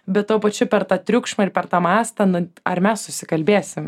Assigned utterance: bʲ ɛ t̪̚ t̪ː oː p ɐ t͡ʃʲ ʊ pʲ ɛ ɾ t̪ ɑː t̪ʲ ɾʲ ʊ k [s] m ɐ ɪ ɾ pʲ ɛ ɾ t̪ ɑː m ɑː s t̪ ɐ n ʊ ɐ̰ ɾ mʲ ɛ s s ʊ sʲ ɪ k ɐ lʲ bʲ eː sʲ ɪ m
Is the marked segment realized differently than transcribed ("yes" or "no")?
yes